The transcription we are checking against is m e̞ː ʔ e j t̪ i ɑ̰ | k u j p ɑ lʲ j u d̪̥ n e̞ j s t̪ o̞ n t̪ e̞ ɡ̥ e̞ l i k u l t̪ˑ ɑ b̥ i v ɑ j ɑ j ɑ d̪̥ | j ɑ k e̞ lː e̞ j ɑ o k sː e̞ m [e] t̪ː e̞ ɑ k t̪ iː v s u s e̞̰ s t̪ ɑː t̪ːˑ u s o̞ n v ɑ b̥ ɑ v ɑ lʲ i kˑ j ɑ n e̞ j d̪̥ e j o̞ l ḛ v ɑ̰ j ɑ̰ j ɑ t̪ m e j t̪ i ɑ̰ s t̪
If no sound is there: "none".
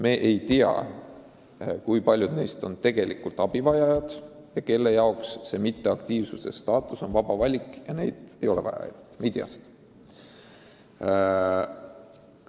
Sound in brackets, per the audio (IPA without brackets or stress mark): i